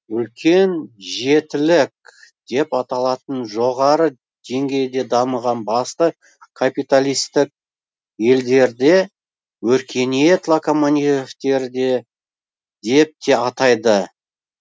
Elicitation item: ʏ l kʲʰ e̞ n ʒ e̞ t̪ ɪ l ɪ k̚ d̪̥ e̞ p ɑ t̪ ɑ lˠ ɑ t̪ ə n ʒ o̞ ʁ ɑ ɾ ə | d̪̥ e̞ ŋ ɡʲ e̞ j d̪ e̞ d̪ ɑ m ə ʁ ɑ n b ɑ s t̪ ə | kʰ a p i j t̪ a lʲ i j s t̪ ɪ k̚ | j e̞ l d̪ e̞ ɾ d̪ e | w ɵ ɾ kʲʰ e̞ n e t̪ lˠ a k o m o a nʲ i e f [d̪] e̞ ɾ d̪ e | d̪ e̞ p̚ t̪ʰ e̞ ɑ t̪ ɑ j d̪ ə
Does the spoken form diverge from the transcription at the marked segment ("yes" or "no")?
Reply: yes